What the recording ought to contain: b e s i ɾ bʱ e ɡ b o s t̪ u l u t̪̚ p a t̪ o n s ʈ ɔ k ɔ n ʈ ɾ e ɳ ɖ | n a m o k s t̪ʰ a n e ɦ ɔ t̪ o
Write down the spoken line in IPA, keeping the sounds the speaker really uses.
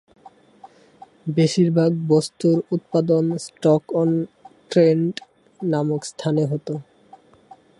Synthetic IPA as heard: b e ʃ i ɾ bʱ a ɡ b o s t̪ u ɾ u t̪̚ p a d̪ o n s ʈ ɔ k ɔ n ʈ ɾ e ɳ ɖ | n a m o k s t̪ʰ a n e ɦ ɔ t̪ o